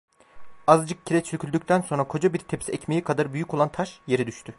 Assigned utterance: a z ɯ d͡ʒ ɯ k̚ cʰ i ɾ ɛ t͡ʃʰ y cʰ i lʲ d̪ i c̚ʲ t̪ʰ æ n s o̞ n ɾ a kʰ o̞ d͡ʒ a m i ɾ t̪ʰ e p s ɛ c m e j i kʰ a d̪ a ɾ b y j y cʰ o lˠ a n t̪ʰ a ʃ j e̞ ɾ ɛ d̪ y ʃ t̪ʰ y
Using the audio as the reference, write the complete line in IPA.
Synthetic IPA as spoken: a z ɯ d͡ʒ ɯ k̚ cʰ i ɾ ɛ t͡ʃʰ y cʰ y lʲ d̪ y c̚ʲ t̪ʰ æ n s o̞ n ɾ a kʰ o̞ d͡ʒ a b i ɾ t̪ʰ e p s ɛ c m e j i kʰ a d̪ a ɾ b y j y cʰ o lˠ a n t̪ʰ a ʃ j e̞ ɾ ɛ d̪ y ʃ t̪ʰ y